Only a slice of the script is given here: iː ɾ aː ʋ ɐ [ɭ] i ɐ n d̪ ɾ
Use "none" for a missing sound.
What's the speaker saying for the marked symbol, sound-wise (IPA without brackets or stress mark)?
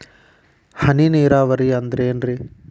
ɾ